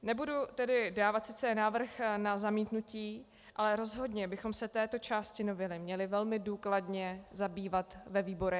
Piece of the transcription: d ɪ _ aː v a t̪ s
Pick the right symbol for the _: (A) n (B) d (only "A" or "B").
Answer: B